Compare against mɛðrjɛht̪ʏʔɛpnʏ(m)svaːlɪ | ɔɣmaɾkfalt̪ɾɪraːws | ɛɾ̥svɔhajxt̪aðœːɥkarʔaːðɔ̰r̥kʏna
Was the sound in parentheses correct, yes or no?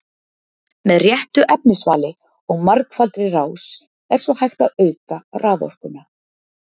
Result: no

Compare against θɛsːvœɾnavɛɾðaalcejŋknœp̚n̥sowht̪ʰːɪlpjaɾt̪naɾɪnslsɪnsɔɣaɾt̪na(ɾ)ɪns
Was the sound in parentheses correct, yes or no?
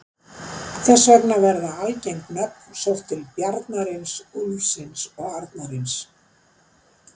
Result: yes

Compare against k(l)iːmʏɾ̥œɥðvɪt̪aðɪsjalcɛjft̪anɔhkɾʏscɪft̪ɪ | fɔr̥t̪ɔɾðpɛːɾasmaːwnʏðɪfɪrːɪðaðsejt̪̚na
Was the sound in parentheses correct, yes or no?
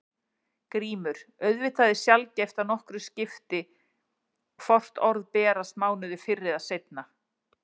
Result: no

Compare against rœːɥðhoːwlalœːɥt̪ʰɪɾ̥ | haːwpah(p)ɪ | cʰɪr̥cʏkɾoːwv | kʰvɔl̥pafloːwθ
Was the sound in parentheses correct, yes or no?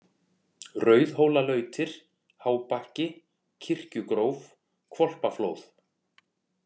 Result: no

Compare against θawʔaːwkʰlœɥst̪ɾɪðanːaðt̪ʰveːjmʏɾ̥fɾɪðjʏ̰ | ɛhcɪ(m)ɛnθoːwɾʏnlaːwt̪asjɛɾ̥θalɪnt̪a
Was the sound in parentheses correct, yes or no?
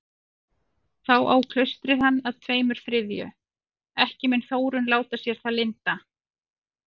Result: yes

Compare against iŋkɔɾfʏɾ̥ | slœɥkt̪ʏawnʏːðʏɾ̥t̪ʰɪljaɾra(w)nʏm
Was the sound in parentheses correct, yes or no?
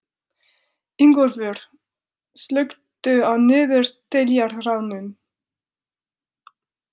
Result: yes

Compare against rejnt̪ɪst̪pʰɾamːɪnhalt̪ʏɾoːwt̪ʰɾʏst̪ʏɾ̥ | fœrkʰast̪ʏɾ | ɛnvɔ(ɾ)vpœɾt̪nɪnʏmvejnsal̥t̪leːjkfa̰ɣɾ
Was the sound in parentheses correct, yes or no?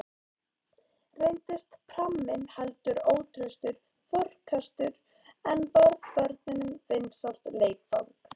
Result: yes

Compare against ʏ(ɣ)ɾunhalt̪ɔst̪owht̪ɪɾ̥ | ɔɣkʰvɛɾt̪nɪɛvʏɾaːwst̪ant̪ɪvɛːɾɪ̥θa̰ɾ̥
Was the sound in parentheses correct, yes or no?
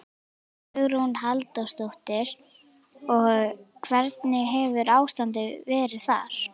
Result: yes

